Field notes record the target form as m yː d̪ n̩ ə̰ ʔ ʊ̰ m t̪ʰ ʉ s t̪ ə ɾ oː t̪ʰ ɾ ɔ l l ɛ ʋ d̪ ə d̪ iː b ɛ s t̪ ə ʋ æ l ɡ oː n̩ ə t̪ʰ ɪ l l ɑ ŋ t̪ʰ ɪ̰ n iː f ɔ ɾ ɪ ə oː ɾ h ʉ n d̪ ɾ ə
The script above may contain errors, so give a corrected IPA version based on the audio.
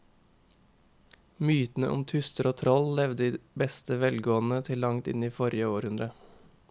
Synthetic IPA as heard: m yː t̪ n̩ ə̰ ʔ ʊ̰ m t̪ʰ ʉ s t̪ ə ɾ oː t̪ʰ ɾ ɔ l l ɛ ʋ d̪ ə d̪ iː b ɛ s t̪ ə ʋ ɛ l ɡ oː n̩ ə t̪ʰ ɪ l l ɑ ŋ t̪ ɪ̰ n iː f ɔ ɾ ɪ ə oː ɾ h ʉ n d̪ ɾ ə